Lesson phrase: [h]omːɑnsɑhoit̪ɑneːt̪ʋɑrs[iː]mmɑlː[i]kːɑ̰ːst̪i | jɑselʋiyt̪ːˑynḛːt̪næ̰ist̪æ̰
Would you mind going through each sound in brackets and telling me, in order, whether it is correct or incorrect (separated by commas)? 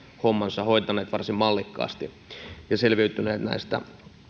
correct, incorrect, correct